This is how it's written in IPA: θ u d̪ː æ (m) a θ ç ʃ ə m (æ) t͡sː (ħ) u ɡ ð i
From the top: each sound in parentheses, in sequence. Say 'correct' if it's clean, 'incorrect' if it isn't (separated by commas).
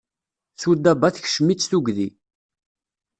incorrect, incorrect, incorrect